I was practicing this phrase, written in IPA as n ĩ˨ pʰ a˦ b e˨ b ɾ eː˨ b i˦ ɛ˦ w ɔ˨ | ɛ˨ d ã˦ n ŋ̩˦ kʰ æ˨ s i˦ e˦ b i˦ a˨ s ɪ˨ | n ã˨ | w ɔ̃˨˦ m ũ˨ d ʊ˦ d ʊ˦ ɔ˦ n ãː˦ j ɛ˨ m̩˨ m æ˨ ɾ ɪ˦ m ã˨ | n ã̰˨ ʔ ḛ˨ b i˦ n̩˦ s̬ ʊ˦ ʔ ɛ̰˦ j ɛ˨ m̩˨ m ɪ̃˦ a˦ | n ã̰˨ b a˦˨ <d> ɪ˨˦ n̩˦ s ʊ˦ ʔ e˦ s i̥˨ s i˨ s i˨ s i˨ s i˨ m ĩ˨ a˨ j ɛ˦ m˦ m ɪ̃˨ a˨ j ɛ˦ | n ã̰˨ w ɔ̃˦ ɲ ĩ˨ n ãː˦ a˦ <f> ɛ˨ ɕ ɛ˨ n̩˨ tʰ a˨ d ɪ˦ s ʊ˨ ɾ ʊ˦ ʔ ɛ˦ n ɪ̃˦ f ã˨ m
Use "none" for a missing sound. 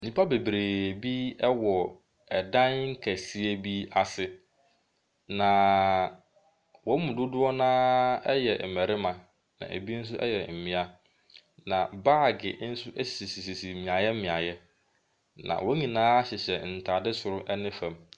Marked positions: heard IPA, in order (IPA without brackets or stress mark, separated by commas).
ɡ, ɕ